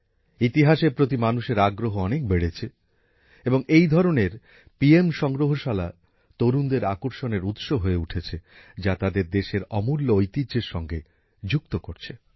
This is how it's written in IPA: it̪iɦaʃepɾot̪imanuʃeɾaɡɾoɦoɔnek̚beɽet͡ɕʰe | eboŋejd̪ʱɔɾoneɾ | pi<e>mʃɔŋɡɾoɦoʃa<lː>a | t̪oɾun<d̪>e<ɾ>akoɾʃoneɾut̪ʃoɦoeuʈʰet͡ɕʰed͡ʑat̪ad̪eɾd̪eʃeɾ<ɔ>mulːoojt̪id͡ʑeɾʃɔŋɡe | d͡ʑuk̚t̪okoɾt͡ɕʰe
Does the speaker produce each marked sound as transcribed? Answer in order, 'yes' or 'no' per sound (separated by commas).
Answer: yes, no, yes, yes, yes